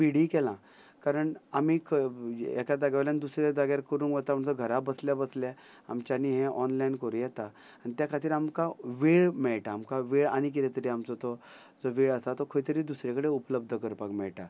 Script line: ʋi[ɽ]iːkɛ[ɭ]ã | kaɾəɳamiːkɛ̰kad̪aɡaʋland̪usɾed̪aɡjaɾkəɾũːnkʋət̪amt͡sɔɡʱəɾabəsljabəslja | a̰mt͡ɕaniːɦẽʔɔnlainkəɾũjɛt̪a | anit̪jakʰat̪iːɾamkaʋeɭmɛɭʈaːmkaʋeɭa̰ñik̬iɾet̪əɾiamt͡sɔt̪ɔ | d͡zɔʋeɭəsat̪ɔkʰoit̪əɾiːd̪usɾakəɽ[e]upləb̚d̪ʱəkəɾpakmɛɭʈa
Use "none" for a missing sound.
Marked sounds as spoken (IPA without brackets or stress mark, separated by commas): ɽ, l, e